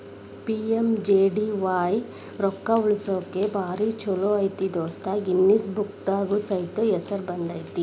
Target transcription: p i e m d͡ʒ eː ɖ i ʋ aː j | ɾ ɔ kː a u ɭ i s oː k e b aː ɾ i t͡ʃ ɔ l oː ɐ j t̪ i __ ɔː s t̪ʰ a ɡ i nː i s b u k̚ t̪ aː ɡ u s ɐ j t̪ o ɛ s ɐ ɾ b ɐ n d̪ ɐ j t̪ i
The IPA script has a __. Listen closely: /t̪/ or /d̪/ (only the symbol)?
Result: d̪